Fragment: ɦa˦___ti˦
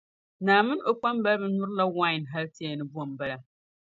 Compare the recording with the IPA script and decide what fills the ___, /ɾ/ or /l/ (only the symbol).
l